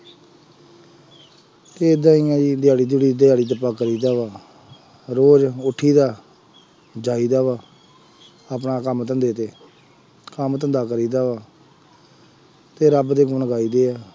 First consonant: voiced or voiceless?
voiceless